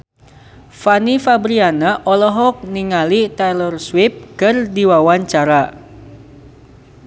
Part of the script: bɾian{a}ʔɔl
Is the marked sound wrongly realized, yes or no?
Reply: no